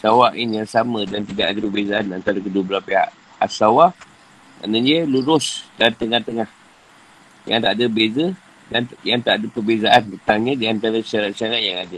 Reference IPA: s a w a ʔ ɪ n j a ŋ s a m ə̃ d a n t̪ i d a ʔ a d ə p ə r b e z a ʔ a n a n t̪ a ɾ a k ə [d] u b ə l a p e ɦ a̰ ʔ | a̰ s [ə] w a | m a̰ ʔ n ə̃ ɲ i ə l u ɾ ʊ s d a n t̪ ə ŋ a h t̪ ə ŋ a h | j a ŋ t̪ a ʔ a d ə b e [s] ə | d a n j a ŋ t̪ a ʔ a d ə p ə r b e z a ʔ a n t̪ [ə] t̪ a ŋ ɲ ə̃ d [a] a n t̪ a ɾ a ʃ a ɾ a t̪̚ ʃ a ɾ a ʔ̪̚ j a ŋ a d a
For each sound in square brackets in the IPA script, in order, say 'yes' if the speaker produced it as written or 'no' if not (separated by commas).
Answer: yes, no, no, yes, no